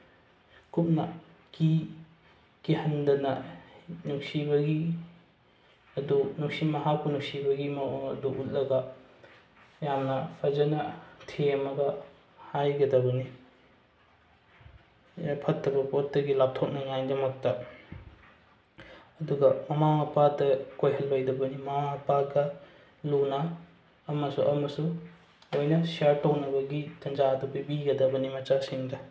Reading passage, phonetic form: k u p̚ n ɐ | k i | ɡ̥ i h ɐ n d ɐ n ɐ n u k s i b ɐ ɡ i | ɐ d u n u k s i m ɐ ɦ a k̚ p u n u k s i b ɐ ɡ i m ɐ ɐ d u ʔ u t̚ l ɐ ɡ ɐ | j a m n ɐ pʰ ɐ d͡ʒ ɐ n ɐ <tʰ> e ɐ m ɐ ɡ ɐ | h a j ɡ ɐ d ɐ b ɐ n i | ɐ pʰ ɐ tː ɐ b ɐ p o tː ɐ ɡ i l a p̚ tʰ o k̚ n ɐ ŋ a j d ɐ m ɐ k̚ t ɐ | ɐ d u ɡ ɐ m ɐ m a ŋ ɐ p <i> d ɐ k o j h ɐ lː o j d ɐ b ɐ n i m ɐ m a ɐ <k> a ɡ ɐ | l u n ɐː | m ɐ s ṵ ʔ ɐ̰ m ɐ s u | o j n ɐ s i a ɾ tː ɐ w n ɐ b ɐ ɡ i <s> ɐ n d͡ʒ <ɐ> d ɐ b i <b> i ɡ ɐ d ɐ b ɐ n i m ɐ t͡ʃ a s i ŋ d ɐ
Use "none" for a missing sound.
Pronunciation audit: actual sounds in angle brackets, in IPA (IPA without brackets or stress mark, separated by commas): tʰ, a, p, t, a, b